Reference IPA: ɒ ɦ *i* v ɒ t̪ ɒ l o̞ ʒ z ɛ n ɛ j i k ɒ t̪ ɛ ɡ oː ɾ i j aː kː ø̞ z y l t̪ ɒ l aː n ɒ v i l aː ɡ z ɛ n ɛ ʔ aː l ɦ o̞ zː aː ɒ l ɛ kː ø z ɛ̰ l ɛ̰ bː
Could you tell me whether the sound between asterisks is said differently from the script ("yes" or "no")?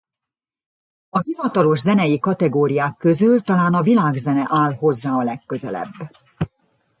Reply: no